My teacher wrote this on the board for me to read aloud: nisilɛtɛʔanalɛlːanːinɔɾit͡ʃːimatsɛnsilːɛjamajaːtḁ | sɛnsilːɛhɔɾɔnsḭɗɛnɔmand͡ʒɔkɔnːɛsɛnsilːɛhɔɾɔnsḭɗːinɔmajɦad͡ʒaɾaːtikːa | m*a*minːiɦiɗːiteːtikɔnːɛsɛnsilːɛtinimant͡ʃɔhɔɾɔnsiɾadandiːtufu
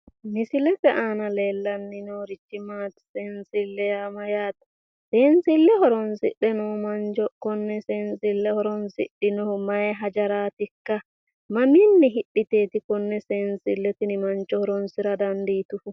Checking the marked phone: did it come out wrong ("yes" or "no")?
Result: no